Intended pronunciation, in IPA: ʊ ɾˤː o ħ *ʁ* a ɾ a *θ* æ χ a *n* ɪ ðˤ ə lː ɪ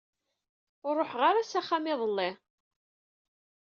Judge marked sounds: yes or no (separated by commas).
yes, no, no